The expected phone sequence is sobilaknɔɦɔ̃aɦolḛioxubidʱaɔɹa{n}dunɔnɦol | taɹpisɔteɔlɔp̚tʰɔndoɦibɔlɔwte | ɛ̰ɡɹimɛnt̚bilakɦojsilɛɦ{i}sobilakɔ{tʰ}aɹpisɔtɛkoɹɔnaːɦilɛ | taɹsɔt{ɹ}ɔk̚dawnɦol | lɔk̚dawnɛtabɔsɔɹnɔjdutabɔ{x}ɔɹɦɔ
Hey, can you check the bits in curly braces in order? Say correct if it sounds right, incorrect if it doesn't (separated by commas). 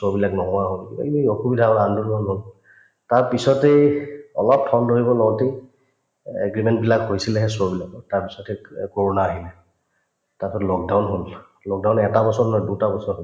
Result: correct, incorrect, incorrect, incorrect, incorrect